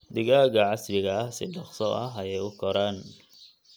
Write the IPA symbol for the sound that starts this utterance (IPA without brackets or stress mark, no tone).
d̪